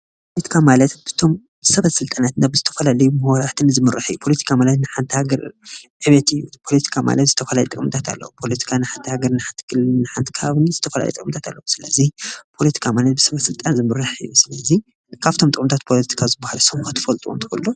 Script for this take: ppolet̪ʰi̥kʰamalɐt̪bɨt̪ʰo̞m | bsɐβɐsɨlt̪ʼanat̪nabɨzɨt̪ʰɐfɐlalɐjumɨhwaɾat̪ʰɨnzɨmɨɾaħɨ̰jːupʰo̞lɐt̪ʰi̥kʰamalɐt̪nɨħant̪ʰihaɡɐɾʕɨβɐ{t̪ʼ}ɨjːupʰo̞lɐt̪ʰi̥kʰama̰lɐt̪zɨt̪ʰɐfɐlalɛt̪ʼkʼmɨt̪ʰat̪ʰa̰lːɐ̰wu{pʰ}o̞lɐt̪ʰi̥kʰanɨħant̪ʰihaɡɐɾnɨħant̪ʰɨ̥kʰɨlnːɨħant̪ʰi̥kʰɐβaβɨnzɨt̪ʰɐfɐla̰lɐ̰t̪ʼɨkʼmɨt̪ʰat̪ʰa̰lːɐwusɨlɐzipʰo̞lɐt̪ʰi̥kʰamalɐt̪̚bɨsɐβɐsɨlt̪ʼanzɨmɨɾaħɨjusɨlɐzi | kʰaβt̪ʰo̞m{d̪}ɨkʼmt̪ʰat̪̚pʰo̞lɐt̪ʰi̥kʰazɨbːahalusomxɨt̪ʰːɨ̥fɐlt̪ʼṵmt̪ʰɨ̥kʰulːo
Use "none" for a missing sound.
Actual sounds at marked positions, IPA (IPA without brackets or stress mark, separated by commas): t̪, pʰ, t̪